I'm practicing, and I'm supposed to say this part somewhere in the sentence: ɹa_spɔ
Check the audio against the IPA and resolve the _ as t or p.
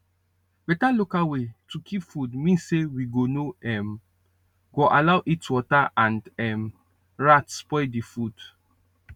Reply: t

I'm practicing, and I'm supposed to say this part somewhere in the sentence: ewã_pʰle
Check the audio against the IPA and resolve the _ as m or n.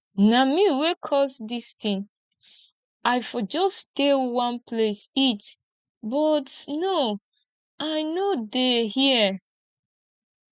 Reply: n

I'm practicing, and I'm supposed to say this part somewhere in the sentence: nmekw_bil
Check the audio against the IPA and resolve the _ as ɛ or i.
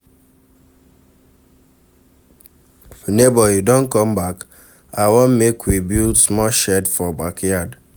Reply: i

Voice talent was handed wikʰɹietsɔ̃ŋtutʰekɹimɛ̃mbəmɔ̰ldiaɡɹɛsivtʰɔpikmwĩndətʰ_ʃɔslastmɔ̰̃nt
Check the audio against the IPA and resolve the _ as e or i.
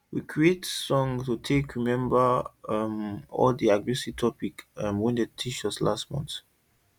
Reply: i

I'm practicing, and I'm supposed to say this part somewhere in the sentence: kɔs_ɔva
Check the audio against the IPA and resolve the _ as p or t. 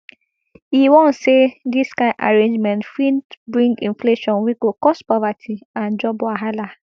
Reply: p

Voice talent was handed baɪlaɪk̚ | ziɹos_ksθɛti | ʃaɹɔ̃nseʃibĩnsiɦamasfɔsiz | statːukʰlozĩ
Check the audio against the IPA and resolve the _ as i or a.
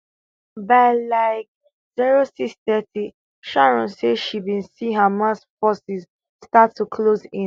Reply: i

